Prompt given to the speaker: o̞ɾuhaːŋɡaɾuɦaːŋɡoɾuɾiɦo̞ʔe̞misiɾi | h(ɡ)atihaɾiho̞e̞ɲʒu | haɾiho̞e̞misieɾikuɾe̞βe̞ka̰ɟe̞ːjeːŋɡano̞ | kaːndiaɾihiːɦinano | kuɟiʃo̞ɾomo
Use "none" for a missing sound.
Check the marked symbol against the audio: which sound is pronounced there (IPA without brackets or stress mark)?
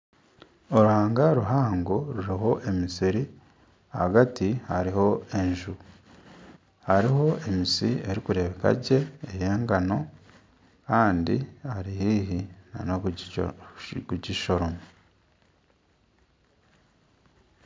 ɡ